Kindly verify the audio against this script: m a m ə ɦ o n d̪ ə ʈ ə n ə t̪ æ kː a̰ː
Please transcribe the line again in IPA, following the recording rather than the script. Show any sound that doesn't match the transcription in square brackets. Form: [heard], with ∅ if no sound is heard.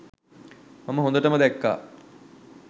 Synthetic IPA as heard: m a m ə ɦ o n d̪ ə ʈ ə [m] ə [d̪] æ kː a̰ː